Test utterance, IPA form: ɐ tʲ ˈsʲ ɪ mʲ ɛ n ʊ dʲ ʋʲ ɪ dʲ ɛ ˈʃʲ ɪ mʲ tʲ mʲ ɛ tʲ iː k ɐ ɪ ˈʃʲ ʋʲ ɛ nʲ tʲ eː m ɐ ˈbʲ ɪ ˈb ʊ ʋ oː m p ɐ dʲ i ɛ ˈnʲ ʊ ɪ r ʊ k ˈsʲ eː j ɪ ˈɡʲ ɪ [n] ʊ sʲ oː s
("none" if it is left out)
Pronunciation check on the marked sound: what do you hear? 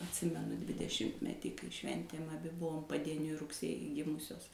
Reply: m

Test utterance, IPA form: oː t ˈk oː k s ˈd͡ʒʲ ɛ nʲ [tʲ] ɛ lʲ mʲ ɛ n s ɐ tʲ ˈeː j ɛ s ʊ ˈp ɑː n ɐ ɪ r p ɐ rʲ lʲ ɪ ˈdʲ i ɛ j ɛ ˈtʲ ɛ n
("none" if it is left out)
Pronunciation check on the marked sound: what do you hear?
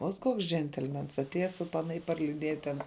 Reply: tʲ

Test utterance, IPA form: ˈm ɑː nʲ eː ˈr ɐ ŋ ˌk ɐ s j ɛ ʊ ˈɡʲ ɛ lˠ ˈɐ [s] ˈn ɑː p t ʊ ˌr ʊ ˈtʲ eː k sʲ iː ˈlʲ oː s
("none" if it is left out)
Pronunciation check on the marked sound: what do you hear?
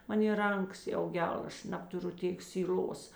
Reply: ʃ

